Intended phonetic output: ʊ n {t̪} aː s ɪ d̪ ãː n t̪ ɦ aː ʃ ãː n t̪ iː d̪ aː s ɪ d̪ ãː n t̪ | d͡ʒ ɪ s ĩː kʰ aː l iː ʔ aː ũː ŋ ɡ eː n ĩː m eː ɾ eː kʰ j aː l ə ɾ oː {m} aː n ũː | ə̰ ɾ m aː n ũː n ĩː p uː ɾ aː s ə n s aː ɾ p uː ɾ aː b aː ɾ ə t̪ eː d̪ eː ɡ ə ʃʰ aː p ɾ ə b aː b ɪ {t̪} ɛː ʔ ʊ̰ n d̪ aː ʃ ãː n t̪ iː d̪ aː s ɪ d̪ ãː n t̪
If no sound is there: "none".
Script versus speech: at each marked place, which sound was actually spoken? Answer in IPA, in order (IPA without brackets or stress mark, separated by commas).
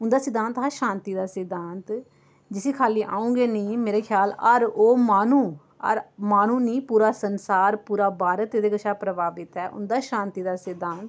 d̪, m, t̪